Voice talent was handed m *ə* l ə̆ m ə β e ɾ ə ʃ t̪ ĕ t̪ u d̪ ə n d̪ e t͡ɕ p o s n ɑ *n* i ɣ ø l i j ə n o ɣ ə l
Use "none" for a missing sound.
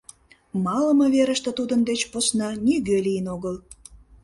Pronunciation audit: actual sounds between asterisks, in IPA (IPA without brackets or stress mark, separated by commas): ɑ, n